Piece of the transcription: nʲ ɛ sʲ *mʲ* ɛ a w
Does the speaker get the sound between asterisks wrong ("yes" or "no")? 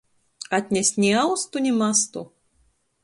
yes